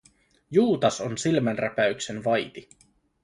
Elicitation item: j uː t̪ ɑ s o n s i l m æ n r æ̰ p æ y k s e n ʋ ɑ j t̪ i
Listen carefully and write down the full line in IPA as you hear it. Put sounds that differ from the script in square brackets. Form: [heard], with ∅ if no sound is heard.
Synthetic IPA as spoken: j uː t̪ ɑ s o n s i l m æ n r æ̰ p æ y k s e n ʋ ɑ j t̪ i